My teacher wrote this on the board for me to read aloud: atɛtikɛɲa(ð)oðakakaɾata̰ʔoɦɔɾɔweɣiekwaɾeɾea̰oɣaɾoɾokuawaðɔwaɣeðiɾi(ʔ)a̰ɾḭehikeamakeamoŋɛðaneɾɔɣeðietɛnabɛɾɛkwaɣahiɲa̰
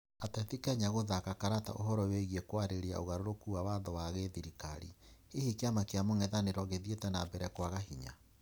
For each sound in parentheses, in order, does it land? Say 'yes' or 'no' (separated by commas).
no, no